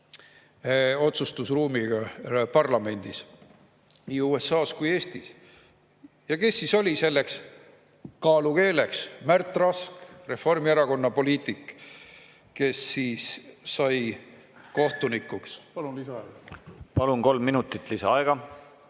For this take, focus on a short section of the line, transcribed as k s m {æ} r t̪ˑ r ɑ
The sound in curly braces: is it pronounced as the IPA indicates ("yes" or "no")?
yes